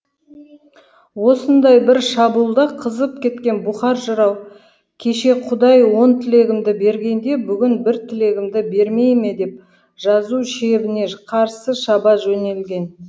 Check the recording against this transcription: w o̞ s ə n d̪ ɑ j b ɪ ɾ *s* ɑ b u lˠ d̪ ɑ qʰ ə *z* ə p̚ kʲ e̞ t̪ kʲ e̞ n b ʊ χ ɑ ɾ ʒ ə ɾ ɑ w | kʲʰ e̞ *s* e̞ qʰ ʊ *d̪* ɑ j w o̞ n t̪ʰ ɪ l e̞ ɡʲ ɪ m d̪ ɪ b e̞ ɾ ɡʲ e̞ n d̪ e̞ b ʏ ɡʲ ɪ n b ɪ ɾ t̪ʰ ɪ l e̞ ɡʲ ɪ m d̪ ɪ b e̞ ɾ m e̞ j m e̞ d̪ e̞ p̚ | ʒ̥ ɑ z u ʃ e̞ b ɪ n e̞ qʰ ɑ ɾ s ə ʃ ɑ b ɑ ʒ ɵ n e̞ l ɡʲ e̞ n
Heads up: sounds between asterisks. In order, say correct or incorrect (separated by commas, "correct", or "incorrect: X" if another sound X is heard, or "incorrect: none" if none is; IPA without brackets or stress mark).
incorrect: ʃ, correct, incorrect: ʃ, correct